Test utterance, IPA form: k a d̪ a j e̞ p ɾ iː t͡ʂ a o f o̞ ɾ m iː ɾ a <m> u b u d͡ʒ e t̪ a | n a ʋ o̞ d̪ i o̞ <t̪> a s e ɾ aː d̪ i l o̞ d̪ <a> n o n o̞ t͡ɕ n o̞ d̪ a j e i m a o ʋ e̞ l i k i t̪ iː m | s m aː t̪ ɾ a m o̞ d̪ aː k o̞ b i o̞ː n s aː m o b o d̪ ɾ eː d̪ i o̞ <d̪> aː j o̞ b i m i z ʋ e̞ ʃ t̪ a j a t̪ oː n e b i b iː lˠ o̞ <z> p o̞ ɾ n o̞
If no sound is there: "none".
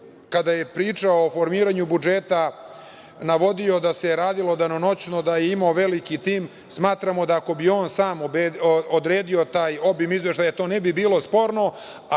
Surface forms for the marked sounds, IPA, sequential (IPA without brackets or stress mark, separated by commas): ɲ, d̪, a, t̪, s